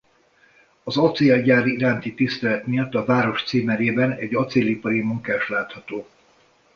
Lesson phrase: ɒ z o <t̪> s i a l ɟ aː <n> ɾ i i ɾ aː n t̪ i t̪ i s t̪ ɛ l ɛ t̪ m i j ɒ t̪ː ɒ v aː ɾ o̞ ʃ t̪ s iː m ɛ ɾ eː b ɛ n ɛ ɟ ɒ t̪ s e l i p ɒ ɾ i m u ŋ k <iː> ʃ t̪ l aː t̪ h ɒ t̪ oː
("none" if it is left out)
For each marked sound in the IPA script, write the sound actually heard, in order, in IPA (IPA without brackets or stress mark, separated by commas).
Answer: t̪, none, aː